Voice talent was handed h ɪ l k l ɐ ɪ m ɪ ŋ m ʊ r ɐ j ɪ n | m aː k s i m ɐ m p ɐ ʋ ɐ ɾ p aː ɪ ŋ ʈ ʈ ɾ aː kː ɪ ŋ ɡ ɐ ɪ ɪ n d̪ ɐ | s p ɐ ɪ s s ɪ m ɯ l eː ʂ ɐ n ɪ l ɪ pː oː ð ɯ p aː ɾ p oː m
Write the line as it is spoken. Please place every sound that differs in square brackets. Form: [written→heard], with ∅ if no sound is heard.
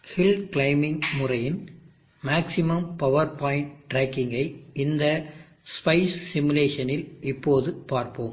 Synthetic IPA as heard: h ɪ l k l ɐ ɪ m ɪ ŋ m ʊ r ɐ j ɪ n | m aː k s [i→ɪ] m ɐ m p ɐ ʋ ɐ ɾ p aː ɪ [ŋ→ɳ] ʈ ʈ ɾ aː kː ɪ ŋ ɡ ɐ ɪ ɪ n d̪ ɐ | s p ɐ ɪ s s ɪ m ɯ l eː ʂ ɐ n ɪ l ɪ pː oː ð ɯ p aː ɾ p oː m

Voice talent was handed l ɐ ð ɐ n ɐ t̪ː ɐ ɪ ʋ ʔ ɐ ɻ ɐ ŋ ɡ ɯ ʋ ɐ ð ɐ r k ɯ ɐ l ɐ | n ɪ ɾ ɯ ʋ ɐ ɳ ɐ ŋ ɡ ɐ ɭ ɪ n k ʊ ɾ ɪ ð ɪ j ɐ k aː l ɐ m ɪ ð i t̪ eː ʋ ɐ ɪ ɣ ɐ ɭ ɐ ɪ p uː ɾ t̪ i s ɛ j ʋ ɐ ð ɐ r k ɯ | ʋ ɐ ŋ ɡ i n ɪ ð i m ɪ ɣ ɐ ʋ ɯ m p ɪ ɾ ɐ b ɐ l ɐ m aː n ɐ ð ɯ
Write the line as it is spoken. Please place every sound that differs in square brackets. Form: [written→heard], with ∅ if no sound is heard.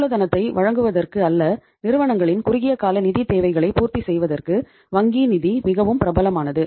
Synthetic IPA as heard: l ɐ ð ɐ n ɐ t̪ː ɐ ɪ ʋ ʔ ɐ ɻ ɐ ŋ ɡ ɯ ʋ ɐ ð ɐ r k ɯ ɐ [l→lː] ɐ | n ɪ ɾ ɯ ʋ ɐ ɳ ɐ ŋ ɡ ɐ ɭ ɪ n k ʊ ɾ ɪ [ð→ɣ] ɪ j ɐ k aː l ɐ [m→n] ɪ ð i t̪ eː ʋ ɐ ɪ ɣ ɐ ɭ ɐ ɪ p uː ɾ t̪ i s ɛ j ʋ ɐ ð ɐ r k ɯ | ʋ ɐ ŋ ɡ i n ɪ ð i m ɪ ɣ ɐ ʋ ɯ m p ɪ ɾ ɐ b ɐ l ɐ m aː n ɐ ð ɯ

